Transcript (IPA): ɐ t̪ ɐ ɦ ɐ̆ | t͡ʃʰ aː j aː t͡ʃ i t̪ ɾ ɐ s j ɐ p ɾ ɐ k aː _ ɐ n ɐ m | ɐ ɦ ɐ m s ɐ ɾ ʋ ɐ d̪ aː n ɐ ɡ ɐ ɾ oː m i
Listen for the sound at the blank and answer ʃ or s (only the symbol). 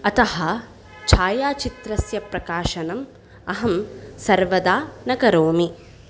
ʃ